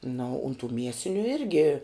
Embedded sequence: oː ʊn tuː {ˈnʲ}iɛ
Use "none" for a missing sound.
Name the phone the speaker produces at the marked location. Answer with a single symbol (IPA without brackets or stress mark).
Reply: mʲ